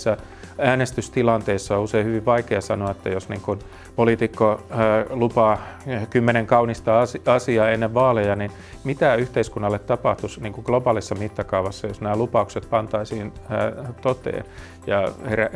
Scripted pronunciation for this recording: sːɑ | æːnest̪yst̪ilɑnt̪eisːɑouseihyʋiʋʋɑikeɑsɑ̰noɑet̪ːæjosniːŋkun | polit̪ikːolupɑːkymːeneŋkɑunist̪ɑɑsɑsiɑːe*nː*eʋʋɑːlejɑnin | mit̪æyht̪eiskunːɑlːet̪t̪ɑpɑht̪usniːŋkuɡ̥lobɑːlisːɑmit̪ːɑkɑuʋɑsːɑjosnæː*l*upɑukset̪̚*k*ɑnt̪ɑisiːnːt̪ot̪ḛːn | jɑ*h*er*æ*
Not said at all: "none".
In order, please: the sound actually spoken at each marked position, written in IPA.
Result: nː, l, p, h, æ

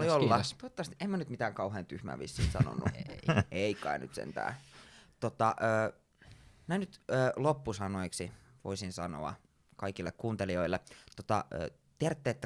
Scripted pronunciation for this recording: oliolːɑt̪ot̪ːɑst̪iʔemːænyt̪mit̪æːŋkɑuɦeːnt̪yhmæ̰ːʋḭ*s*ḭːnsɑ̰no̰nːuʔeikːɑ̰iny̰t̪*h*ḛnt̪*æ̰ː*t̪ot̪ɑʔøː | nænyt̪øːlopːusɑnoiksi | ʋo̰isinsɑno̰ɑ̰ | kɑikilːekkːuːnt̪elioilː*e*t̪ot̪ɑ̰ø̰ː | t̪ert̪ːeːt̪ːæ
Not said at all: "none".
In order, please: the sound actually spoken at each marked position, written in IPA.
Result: sː, s, æ̰ː, e

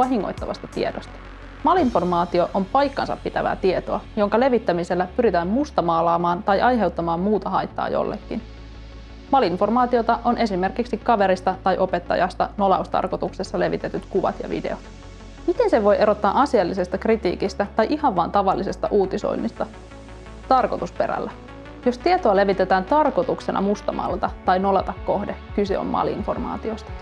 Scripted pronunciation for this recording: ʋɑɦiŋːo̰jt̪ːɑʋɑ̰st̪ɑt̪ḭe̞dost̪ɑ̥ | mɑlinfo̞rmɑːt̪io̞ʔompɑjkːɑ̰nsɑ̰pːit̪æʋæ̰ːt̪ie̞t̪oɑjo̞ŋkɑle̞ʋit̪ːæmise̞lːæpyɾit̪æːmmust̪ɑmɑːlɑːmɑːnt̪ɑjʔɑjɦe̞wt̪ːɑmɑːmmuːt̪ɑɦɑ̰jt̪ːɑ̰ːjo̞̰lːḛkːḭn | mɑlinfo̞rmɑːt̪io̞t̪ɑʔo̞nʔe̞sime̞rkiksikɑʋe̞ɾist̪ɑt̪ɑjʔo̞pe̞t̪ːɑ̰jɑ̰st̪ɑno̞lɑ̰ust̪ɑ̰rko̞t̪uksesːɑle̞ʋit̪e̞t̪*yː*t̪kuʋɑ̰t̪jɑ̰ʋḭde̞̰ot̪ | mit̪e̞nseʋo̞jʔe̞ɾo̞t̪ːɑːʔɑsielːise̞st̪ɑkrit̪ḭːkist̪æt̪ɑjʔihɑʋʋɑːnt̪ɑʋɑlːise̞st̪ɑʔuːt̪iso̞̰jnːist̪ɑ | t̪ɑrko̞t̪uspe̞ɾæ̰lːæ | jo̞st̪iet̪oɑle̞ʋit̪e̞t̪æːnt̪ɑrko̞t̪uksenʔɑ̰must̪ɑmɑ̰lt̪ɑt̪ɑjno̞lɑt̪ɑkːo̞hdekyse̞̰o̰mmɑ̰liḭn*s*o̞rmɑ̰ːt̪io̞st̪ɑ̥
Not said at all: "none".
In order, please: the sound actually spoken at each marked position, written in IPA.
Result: y, f

